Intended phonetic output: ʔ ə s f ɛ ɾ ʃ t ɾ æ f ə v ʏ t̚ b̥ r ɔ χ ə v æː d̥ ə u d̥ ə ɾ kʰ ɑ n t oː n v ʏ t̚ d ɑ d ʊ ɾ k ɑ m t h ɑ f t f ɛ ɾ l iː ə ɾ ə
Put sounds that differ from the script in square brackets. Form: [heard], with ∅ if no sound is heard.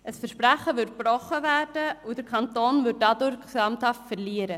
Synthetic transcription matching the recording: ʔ ə s f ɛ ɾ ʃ [p] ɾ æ [χ] ə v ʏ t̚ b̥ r ɔ χ ə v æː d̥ ə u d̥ ə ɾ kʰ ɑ n t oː n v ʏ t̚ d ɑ d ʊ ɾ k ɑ m t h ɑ f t f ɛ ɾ l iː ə ɾ ə